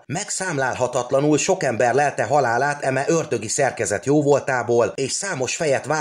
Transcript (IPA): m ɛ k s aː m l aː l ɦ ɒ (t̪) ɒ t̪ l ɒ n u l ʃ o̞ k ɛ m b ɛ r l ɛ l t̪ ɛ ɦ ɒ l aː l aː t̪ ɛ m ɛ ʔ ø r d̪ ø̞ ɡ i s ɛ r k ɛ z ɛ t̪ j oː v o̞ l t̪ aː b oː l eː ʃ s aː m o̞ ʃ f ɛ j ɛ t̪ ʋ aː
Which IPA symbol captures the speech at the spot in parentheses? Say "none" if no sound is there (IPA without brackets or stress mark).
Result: t̪